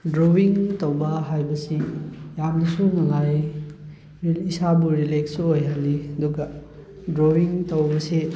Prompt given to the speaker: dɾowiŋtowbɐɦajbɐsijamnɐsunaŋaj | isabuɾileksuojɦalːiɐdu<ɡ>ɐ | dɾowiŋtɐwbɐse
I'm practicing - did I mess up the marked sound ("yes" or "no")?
no